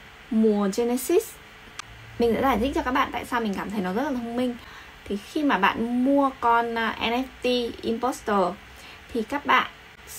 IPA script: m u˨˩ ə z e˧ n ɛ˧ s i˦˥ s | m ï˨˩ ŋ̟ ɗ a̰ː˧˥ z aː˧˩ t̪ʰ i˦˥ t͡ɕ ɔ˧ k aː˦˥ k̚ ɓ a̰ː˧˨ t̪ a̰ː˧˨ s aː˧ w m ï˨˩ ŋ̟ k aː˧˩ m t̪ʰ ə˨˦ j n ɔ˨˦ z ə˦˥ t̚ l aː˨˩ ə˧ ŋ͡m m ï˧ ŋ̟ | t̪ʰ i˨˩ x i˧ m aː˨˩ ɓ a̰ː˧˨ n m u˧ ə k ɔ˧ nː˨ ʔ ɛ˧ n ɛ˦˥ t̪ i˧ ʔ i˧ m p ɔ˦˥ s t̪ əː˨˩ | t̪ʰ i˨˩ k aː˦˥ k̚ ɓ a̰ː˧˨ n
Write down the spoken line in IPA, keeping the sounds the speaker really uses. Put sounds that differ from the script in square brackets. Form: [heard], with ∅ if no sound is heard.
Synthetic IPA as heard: m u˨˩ ə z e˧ n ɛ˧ s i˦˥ s | m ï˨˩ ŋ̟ ɗ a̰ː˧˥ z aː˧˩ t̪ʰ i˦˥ t͡ɕ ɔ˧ k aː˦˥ k̚ ɓ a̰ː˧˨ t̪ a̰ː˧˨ s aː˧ w m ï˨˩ ŋ̟ k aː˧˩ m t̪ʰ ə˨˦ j n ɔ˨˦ z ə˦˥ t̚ l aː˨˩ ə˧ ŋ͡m m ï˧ ŋ̟ | t̪ʰ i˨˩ x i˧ m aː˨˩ ɓ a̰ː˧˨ n m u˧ ə k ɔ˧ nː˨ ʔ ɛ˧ n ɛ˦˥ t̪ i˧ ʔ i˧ m p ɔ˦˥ s t̪ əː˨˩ | t̪ʰ i˨˩ k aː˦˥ k̚ ɓ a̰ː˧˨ n